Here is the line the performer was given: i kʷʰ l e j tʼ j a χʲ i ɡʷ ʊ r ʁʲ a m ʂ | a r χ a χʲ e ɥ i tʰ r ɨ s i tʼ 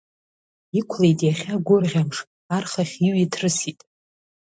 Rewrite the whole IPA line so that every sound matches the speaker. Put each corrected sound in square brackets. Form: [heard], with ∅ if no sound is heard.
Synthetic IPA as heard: i kʷʰ l e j tʼ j a χʲ [a] ɡʷ ʊ r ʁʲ a m ʂ | a r χ a χʲ [i] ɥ i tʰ r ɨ s i tʼ